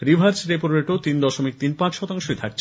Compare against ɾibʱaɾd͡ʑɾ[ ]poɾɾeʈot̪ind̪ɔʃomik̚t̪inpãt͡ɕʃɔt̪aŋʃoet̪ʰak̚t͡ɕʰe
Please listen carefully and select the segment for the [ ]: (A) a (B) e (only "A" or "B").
B